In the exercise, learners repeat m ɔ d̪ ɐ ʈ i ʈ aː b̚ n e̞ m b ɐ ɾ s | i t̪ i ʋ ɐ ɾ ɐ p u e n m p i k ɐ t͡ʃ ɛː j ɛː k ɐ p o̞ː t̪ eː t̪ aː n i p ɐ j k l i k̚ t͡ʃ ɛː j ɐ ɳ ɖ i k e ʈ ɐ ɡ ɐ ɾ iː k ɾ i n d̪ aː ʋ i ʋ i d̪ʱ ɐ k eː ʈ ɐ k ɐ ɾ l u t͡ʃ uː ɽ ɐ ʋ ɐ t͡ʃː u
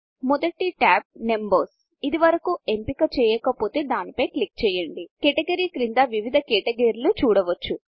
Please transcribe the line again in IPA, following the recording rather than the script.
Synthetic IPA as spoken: m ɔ d̪ ɐ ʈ i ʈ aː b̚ n e̞ m b ɐ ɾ s | i d̪ i ʋ ɐ ɾ ɐ k u e m p i k ɐ t͡ʃ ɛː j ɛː k ɐ p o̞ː t̪ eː d̪ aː n i p ɐ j k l i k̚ t͡ʃ ɛː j ɐ ɳ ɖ i k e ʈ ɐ ɡ ɐ ɾ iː k ɾ i n d̪ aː ʋ i ʋ i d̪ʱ ɐ k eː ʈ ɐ ɡ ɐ ɾ l u t͡ʃ uː ɽ ɐ ʋ ɐ t͡ʃː u